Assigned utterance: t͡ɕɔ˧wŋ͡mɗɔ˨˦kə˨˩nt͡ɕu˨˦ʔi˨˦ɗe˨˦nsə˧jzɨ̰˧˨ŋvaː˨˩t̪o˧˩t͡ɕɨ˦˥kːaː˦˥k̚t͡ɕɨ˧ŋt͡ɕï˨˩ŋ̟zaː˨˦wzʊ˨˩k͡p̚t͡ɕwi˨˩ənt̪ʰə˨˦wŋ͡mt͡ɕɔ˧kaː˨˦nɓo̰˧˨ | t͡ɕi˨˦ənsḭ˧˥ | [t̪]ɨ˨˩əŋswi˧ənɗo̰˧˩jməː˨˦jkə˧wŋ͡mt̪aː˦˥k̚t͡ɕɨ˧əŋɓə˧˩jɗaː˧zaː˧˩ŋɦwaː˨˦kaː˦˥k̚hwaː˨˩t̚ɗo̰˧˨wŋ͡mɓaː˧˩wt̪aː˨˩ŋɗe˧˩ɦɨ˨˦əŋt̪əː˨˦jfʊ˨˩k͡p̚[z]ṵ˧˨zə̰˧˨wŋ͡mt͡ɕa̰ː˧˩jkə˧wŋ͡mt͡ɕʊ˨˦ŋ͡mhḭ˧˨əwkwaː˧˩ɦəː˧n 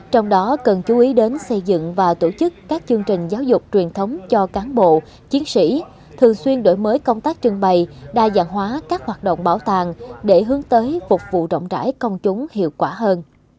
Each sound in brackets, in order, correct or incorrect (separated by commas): incorrect, incorrect